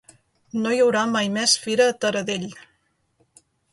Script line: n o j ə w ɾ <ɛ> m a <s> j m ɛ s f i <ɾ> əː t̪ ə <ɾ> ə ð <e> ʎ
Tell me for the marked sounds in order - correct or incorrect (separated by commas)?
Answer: incorrect, incorrect, correct, correct, correct